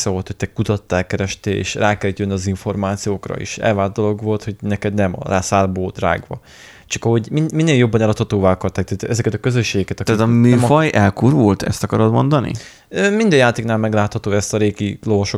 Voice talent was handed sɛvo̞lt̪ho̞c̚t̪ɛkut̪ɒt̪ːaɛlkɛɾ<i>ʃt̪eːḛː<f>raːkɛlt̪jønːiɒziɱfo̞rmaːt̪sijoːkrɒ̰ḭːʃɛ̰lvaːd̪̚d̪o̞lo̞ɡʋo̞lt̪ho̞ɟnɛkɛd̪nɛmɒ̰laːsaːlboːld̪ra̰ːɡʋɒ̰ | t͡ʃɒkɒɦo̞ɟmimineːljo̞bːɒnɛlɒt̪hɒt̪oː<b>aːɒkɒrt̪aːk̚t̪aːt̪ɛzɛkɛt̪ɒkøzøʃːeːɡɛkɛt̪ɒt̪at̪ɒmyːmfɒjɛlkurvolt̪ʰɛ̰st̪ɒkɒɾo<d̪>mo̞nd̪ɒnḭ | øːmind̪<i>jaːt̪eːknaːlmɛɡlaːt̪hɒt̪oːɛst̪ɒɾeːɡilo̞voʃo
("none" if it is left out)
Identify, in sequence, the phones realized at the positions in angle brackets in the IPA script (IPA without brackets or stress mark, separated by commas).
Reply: ɛ, ʃ, v, d̪, ɛ